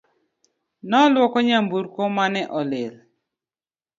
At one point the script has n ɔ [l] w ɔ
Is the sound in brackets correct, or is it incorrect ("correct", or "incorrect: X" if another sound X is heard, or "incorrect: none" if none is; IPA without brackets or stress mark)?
correct